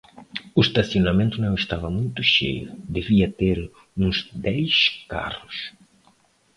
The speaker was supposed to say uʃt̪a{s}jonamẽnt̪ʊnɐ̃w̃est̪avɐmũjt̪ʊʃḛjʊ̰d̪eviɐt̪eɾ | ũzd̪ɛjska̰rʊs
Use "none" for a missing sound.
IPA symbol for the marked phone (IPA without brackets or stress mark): s